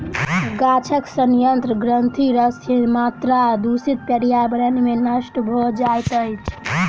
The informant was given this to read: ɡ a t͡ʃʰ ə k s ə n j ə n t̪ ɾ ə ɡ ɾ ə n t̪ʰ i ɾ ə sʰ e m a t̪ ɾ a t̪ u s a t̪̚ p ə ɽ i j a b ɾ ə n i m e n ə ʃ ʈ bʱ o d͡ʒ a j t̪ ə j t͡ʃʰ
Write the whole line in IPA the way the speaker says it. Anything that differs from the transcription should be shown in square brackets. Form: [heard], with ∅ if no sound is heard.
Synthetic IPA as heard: ɡ a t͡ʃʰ ə k s ə n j ə n t̪ ɾ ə ɡ ɾ ə n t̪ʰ i ɾ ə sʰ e m a t̪ ɾ a [d̪] u s [i] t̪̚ p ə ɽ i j a b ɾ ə n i m e n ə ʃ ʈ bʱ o d͡ʒ a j t̪ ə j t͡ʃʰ